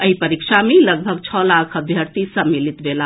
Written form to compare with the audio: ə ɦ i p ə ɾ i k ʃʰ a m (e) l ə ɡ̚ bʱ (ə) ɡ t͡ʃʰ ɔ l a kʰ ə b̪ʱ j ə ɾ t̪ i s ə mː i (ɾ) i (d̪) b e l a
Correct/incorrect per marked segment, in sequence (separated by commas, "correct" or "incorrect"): correct, correct, incorrect, incorrect